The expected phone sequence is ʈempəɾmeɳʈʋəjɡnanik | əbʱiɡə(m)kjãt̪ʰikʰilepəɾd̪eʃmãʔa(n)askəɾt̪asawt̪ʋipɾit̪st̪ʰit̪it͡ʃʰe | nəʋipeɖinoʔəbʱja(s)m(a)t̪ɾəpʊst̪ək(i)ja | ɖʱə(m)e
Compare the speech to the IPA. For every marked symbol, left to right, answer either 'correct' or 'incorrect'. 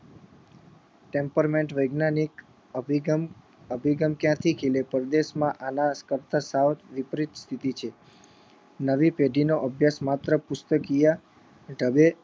correct, correct, correct, correct, correct, incorrect: b

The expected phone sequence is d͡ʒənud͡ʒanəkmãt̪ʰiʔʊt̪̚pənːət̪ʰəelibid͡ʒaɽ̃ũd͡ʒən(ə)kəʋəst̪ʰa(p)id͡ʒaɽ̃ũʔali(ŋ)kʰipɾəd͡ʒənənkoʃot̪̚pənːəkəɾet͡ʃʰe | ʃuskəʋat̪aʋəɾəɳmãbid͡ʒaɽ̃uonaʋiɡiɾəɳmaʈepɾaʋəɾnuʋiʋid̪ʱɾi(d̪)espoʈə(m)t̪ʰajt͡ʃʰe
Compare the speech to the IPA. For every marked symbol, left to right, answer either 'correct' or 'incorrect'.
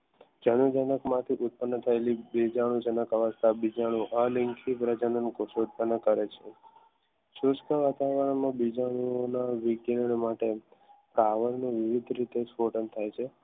correct, incorrect: b, correct, incorrect: t̪, incorrect: n

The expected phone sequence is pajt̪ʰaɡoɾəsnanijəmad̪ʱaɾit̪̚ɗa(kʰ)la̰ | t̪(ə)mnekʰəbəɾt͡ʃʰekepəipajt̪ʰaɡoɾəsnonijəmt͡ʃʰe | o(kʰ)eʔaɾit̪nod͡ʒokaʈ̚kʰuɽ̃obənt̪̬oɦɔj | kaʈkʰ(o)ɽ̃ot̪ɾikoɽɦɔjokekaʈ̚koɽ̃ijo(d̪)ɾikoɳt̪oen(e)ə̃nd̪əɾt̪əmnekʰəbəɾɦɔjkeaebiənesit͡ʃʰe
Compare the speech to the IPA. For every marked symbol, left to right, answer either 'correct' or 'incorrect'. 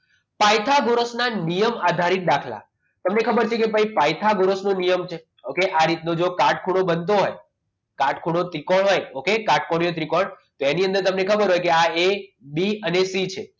correct, correct, incorrect: k, incorrect: u, incorrect: t̪, incorrect: i

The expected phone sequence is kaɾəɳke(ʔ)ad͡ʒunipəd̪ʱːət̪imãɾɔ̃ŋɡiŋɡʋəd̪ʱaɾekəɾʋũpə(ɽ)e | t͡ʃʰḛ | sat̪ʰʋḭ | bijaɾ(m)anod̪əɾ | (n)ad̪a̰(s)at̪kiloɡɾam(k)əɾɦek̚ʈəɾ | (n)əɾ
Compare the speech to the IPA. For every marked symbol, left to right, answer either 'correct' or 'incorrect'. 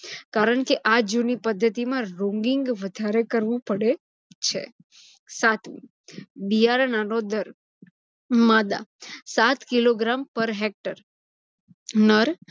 correct, correct, incorrect: n, incorrect: m, correct, incorrect: p, correct

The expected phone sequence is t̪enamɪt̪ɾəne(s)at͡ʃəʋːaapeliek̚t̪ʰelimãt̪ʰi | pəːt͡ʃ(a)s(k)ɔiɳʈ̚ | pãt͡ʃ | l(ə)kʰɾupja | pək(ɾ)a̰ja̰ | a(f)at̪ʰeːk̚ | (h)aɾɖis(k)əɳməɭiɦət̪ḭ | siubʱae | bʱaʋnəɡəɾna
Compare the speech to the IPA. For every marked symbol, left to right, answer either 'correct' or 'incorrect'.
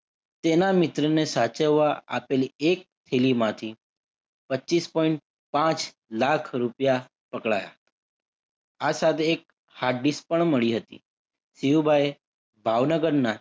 correct, incorrect: i, incorrect: p, incorrect: a, incorrect: ɭ, incorrect: s, correct, incorrect: p

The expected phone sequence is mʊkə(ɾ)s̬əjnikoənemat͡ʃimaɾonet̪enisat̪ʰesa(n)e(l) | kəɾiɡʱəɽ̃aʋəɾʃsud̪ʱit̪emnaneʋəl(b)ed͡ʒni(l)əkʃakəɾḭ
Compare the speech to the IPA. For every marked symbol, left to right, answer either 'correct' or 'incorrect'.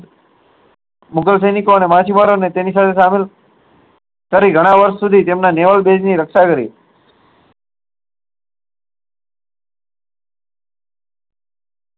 incorrect: l, incorrect: m, correct, correct, incorrect: ɾ

